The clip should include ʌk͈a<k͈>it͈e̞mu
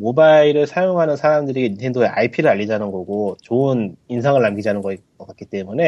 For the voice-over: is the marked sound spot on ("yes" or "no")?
yes